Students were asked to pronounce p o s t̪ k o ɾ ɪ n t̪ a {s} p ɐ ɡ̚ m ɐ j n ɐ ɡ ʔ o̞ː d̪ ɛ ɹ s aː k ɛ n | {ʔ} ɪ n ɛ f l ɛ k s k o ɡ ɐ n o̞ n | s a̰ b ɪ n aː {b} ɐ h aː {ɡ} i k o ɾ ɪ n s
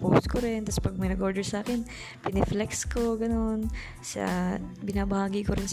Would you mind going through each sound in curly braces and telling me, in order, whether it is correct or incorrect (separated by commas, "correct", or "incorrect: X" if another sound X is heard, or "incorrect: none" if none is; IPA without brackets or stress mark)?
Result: correct, incorrect: p, correct, correct